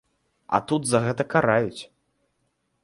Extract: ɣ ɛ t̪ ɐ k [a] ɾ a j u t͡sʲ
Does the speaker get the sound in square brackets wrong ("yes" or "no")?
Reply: no